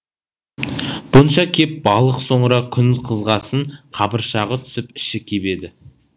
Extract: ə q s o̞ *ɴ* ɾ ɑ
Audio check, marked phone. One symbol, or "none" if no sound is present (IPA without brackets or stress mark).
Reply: ɴ